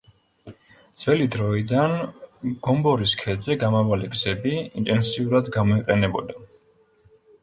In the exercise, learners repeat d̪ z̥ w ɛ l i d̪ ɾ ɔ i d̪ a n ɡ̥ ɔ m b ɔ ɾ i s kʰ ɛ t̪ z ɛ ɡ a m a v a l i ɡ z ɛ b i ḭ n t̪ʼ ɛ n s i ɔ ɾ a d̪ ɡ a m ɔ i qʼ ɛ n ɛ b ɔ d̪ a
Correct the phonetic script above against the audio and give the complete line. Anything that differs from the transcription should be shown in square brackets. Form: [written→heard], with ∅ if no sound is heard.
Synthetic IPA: d̪ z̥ [w→v] ɛ l i d̪ ɾ ɔ i d̪ a n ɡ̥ ɔ m b ɔ ɾ i s kʰ ɛ [t̪→d̪] z ɛ ɡ a m a v a l i ɡ z ɛ b i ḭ n t̪ʼ ɛ n s i [ɔ→u] ɾ a d̪ ɡ a m ɔ i qʼ ɛ n ɛ b ɔ d̪ a

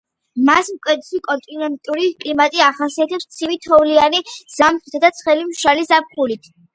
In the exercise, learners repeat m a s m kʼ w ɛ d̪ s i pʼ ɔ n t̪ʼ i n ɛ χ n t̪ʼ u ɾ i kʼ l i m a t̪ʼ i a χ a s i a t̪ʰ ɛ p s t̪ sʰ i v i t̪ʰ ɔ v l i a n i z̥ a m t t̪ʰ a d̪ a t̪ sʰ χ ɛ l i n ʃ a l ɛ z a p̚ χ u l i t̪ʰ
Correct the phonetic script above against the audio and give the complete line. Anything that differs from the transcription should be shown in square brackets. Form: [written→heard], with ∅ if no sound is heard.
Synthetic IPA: m a s m kʼ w ɛ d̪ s i [pʼ→kʼ] ɔ n t̪ʼ i n ɛ [χ→∅] n t̪ʼ u ɾ i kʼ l i m a t̪ʼ i a χ a s i a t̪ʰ ɛ p s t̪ sʰ i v i t̪ʰ ɔ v l i a n i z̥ a m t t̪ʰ a d̪ a t̪ sʰ χ ɛ l i [n→m] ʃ a l [ɛ→i] z a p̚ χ u l i t̪ʰ

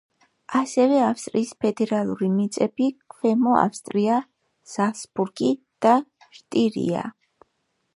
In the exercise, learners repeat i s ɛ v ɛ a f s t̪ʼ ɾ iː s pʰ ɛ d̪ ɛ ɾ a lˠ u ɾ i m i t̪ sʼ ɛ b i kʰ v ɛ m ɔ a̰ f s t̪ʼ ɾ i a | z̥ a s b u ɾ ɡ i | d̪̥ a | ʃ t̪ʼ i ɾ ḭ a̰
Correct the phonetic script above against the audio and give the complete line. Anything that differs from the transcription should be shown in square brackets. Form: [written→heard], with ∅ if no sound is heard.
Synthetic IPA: [i→a] s ɛ v ɛ a f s t̪ʼ ɾ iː s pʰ ɛ d̪ ɛ ɾ a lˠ u ɾ i m i t̪ sʼ ɛ b i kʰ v ɛ m ɔ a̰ f s t̪ʼ ɾ i a | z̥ a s b u ɾ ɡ i | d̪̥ a | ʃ t̪ʼ i ɾ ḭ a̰

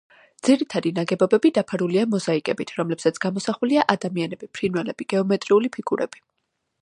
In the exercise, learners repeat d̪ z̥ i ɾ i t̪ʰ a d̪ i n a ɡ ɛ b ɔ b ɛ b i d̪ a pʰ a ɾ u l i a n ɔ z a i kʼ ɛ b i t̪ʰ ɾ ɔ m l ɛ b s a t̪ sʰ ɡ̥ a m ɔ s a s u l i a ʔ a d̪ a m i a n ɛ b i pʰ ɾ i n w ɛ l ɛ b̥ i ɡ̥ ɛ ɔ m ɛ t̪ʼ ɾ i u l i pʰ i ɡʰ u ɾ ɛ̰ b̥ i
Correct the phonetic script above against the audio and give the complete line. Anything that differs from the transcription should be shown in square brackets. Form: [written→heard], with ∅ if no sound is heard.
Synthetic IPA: d̪ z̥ i ɾ i t̪ʰ a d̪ i n a ɡ ɛ b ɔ b ɛ b i d̪ a pʰ a ɾ u l i a [n→m] ɔ z a i kʼ ɛ b i t̪ʰ ɾ ɔ m l ɛ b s a t̪ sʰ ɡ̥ a m ɔ s a [s→χ] u l i a ʔ a d̪ a m i a n ɛ b i pʰ ɾ i n w ɛ l ɛ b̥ i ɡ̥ ɛ ɔ m ɛ t̪ʼ ɾ i u l i pʰ i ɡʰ u ɾ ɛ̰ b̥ i

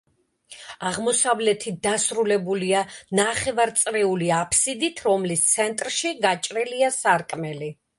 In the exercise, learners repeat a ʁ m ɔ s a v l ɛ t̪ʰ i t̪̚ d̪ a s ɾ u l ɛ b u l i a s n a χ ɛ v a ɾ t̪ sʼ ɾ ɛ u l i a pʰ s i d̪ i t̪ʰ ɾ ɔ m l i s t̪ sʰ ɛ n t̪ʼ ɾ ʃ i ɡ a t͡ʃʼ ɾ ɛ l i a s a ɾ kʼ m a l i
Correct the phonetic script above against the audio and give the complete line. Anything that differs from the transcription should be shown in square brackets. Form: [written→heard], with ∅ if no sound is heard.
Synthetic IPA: a ʁ m ɔ s a v l ɛ t̪ʰ i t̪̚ d̪ a s ɾ u l ɛ b u l i a [s→∅] n a χ ɛ v a ɾ t̪ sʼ ɾ ɛ u l i a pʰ s i d̪ i t̪ʰ ɾ ɔ m l i s t̪ sʰ ɛ n t̪ʼ ɾ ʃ i ɡ a t͡ʃʼ ɾ ɛ l i a s a ɾ kʼ m [a→ɛ] l i

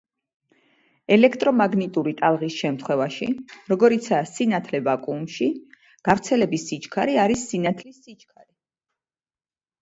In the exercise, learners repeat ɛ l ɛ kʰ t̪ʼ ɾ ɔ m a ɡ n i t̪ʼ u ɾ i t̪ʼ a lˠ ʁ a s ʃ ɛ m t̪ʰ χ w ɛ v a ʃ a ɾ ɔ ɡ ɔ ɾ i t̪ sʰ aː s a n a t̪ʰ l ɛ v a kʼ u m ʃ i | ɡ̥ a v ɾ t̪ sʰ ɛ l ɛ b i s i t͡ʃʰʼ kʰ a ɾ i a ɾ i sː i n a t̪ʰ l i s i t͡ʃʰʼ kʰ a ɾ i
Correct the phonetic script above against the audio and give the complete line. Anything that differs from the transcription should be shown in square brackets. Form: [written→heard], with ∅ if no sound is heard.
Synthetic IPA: ɛ l ɛ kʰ t̪ʼ ɾ ɔ m a ɡ n i t̪ʼ u ɾ i t̪ʼ a lˠ ʁ [a→i] s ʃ ɛ m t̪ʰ χ w ɛ v a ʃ [a→i] ɾ ɔ ɡ ɔ ɾ i t̪ sʰ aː s [a→i] n a t̪ʰ l ɛ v a kʼ u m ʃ i | ɡ̥ a v ɾ t̪ sʰ ɛ l ɛ b i s i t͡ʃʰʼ kʰ a ɾ i a ɾ i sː i n a t̪ʰ l i s i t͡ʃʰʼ kʰ a ɾ i

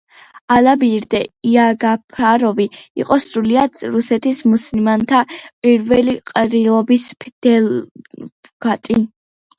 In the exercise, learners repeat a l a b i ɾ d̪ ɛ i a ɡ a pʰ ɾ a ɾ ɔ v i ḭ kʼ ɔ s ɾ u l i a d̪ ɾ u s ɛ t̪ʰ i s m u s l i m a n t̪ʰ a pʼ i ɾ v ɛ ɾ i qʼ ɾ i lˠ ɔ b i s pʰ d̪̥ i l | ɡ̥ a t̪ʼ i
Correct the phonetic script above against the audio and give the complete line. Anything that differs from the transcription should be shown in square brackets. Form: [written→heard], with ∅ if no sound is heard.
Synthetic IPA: a l a b i ɾ d̪ ɛ i a ɡ a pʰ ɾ a ɾ ɔ v i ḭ [kʼ→qʼ] ɔ s ɾ u l i a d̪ ɾ u s ɛ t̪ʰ i s m u s l i m a n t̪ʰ a pʼ i ɾ v ɛ [ɾ→l] i qʼ ɾ i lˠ ɔ b i s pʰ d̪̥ [i→ɛ] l | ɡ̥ a t̪ʼ i

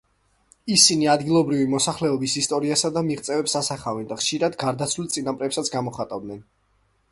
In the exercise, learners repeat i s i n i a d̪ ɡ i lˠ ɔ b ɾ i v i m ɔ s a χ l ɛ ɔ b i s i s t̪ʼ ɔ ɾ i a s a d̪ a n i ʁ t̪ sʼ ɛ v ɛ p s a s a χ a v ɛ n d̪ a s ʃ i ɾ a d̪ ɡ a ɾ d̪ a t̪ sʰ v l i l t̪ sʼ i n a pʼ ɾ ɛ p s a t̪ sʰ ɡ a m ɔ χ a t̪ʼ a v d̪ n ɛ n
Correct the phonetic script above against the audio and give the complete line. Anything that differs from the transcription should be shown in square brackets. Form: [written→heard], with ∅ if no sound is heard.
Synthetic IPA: i s i n i a d̪ ɡ i lˠ ɔ b ɾ i v i m ɔ s a χ l ɛ ɔ b i s i s t̪ʼ ɔ ɾ i a s a d̪ a [n→m] i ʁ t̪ sʼ ɛ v ɛ p s a s a χ a v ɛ n d̪ a [s→χ] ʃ i ɾ a d̪ ɡ a ɾ d̪ a t̪ sʰ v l i l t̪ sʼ i n a pʼ ɾ ɛ p s a t̪ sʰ ɡ a m ɔ χ a t̪ʼ a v d̪ n ɛ n

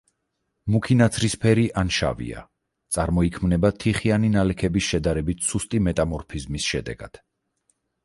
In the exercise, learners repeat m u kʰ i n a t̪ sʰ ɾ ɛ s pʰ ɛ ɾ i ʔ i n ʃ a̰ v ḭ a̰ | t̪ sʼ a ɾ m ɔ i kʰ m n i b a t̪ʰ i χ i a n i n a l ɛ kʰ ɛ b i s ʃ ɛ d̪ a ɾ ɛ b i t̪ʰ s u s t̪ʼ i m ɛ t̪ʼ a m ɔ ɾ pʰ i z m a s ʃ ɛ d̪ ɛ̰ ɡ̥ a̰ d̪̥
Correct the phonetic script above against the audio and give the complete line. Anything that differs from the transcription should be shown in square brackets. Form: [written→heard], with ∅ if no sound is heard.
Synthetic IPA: m u kʰ i n a t̪ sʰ ɾ [ɛ→i] s pʰ ɛ ɾ i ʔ [i→a] n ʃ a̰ v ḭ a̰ | t̪ sʼ a ɾ m ɔ i kʰ m n [i→ɛ] b a t̪ʰ i χ i a n i n a l ɛ kʰ ɛ b i s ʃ ɛ d̪ a ɾ ɛ b i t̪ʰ s u s t̪ʼ i m ɛ t̪ʼ a m ɔ ɾ pʰ i z m [a→i] s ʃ ɛ d̪ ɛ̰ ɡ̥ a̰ d̪̥

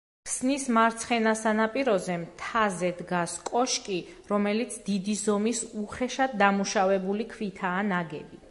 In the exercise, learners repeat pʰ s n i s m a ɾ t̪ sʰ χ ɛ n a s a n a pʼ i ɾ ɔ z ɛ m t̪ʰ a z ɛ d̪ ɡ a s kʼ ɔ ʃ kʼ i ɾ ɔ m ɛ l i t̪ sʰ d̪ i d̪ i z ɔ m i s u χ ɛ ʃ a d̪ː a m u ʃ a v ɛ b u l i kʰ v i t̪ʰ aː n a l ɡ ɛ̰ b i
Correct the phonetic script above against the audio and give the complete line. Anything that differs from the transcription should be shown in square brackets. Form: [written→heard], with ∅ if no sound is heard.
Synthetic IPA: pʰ s n i s m a ɾ t̪ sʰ χ ɛ n a s a n a pʼ i ɾ ɔ z ɛ m t̪ʰ a z ɛ d̪ ɡ a s kʼ ɔ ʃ kʼ i ɾ ɔ m ɛ l i t̪ sʰ d̪ i d̪ i z ɔ m i s u χ ɛ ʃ a d̪ː a m u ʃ a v ɛ b u l i kʰ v i t̪ʰ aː n a [l→∅] ɡ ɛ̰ b i

